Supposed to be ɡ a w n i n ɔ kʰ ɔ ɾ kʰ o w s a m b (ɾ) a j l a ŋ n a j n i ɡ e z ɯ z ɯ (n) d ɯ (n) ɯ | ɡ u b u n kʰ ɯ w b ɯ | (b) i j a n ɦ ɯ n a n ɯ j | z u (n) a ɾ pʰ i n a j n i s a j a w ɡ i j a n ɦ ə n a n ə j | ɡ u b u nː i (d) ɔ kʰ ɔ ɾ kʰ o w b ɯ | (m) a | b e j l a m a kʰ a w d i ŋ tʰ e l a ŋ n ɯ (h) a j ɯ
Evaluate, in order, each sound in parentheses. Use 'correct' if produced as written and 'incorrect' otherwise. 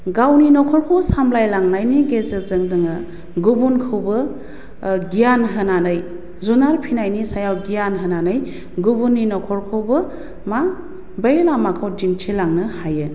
incorrect: l, incorrect: ŋ, incorrect: ŋ, incorrect: ɡ, correct, incorrect: n, correct, correct

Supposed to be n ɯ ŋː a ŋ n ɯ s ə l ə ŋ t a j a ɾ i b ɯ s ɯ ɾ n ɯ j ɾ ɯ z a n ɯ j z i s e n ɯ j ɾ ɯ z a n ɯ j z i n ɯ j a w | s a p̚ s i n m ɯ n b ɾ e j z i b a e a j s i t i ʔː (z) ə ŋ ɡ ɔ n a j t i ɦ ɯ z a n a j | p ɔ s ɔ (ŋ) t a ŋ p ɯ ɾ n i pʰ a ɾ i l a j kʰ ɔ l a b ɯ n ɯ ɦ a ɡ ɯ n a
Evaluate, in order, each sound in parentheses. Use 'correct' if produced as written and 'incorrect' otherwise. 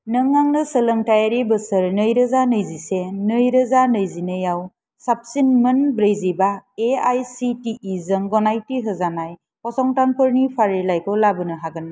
correct, correct

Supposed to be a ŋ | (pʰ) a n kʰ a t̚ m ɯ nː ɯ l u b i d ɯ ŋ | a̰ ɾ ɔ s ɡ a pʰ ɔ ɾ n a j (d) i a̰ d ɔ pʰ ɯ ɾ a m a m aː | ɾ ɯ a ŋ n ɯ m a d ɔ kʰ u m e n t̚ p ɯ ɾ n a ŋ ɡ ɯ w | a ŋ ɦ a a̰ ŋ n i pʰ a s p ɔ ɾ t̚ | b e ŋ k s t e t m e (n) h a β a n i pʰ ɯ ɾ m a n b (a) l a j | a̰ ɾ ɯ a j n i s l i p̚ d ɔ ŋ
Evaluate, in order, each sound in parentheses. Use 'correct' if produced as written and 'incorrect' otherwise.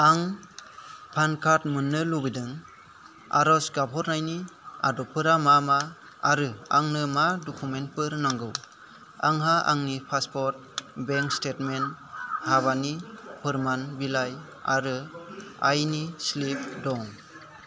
correct, incorrect: n, correct, incorrect: i

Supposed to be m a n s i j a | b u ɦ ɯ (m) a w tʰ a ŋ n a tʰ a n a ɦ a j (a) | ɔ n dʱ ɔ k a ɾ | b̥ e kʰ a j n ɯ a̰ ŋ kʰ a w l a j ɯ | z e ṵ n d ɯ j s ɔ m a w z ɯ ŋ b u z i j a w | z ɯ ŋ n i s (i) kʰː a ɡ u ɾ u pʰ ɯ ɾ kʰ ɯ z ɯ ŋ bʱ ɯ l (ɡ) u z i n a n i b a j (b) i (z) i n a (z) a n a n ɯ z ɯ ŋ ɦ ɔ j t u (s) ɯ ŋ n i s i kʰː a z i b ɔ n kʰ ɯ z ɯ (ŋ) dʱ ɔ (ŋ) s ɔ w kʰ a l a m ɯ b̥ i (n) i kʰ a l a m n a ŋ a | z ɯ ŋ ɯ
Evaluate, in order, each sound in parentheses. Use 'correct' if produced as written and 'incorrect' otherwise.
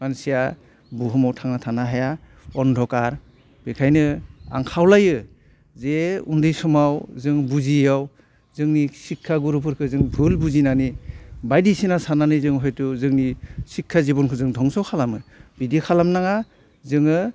correct, correct, correct, incorrect: b, incorrect: d, incorrect: s, incorrect: s, incorrect: z, correct, correct, incorrect: d

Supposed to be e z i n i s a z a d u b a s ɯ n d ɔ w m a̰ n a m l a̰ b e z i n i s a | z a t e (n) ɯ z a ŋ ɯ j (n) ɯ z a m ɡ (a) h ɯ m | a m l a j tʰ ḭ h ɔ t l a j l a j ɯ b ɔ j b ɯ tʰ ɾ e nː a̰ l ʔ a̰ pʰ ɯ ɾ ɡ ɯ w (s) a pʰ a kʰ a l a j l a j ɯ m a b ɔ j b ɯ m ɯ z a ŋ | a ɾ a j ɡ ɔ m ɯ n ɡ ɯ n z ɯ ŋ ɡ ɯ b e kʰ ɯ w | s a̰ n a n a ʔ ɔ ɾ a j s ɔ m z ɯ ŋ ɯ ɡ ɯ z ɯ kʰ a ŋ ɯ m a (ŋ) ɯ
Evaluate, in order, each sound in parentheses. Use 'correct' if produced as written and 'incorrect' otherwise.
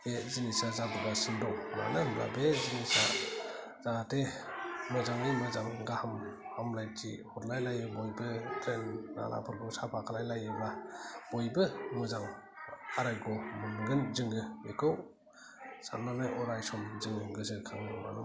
incorrect: m, incorrect: m, correct, correct, incorrect: n

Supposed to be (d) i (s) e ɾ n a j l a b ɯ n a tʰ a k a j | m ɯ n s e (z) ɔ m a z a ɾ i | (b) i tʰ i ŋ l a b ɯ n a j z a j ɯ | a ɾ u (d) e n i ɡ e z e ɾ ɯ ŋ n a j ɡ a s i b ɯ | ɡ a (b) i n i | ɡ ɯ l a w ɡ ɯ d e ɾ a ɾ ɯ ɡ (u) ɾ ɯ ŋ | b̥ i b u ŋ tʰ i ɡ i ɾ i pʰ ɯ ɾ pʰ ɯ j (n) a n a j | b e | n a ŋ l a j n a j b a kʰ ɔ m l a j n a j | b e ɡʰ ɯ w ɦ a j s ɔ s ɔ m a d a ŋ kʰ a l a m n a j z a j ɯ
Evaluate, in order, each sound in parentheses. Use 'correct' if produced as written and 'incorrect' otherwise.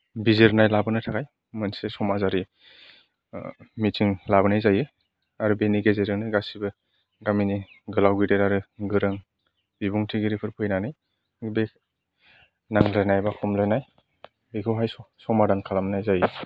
incorrect: b, incorrect: z, incorrect: s, incorrect: m, incorrect: b, incorrect: m, incorrect: ɯ, correct

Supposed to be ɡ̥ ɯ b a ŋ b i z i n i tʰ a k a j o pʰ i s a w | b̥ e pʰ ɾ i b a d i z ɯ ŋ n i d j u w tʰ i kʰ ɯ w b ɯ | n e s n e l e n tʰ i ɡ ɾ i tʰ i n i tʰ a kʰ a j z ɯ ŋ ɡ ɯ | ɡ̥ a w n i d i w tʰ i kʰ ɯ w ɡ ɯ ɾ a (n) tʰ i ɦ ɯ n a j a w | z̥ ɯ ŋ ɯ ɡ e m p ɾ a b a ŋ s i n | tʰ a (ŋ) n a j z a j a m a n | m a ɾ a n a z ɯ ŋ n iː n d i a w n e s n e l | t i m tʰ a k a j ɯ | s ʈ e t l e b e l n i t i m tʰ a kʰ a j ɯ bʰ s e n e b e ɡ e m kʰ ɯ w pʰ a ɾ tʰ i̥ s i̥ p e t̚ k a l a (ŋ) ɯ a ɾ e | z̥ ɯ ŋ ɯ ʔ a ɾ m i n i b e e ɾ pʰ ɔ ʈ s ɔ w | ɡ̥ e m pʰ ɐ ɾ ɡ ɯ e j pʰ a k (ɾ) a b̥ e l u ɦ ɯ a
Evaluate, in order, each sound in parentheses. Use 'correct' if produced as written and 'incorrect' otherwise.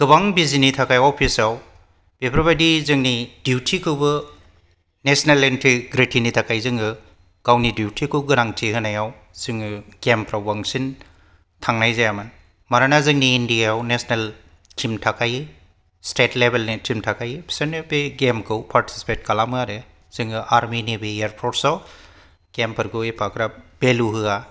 incorrect: ŋ, correct, incorrect: m, correct

